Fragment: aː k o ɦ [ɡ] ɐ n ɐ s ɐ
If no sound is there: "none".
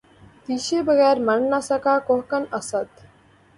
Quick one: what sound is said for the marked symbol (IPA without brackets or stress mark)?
k